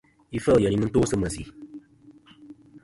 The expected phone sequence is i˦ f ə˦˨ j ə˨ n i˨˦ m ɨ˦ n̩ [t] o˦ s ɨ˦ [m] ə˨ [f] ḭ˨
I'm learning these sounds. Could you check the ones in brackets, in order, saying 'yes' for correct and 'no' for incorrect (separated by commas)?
yes, yes, no